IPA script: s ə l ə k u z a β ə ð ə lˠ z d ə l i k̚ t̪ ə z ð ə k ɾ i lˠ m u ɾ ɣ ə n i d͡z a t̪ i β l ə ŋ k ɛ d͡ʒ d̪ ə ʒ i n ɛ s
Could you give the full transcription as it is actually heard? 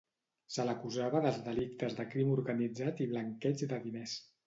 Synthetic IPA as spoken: s ə l ə k u z a β ə ð ə lˠ z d ə l i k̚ t̪ ə z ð ə k ɾ i m u ɾ ɣ ə n i d͡z a t̪ i β l ə ŋ k ɛ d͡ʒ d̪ ə ð i n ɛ s